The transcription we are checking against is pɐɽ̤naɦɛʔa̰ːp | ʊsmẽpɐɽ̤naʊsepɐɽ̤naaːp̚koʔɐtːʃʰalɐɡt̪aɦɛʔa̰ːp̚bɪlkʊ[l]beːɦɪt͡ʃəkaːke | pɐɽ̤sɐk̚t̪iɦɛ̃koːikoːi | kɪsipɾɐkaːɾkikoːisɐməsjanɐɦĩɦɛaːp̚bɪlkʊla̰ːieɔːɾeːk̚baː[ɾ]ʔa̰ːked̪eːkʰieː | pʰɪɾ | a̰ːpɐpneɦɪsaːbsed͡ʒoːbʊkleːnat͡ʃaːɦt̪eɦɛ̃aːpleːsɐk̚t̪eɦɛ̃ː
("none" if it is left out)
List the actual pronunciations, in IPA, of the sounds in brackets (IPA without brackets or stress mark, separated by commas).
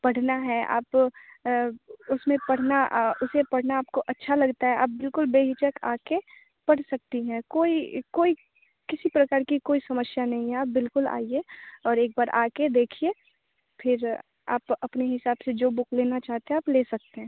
l, ɾ